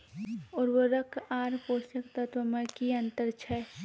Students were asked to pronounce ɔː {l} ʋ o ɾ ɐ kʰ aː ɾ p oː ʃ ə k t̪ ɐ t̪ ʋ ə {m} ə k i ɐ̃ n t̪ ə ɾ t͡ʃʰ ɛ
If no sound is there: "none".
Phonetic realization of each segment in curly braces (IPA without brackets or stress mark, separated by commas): ɾ, m